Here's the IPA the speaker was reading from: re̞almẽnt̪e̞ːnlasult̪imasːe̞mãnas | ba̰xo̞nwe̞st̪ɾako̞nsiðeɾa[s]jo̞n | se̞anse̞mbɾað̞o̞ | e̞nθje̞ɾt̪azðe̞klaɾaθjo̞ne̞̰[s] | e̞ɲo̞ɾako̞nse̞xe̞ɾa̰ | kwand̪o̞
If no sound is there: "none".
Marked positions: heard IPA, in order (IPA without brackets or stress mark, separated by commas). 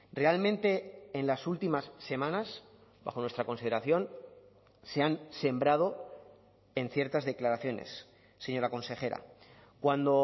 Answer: θ, sː